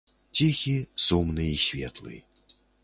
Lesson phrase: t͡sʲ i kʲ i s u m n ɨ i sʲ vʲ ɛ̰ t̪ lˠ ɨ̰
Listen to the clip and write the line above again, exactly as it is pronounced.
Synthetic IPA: t͡sʲ i xʲ i s u m n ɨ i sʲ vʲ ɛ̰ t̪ lˠ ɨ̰